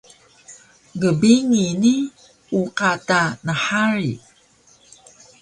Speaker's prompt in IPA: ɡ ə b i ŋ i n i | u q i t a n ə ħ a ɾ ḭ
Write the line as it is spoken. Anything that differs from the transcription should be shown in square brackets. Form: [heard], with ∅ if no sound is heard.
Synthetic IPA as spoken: ɡ ə b i ŋ i n i | u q [a] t a n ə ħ a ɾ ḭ